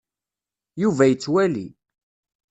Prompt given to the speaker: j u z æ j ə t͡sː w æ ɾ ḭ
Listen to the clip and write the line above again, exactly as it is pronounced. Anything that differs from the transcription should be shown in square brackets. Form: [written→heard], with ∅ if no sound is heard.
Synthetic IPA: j u [z→v] æ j ə t͡sː w æ [ɾ→l] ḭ